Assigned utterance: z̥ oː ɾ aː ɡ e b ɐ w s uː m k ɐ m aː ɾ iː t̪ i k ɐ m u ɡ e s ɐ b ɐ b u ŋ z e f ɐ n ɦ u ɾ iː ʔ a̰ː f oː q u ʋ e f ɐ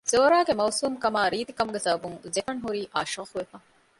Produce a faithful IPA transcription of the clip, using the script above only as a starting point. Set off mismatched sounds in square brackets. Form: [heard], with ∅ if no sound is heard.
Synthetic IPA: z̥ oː ɾ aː ɡ e [m] ɐ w s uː m k ɐ m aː ɾ iː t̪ i k ɐ m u ɡ e s ɐ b ɐ b u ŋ z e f ɐ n ɦ u ɾ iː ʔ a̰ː [ʃ] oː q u ʋ e f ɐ